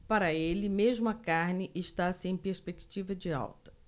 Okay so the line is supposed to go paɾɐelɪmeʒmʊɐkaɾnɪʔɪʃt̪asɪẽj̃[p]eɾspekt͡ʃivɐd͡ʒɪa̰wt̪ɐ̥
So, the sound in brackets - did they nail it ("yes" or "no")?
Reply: yes